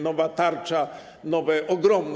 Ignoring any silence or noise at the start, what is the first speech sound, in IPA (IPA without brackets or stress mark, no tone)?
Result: n